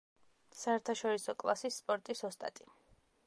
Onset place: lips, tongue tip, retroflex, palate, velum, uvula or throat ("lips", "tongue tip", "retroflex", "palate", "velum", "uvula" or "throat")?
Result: tongue tip